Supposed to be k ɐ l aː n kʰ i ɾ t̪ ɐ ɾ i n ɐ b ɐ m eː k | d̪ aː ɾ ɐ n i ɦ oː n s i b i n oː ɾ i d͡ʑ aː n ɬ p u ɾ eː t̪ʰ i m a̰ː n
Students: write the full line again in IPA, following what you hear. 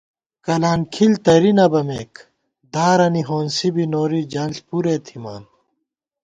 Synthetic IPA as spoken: k ɐ l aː n kʰ i l t̪ ɐ ɾ i n ɐ b ɐ m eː k | d̪ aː ɾ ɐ n i ɦ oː n s i b i n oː ɾ i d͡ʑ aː n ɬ p u ɾ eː t̪ʰ i m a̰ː n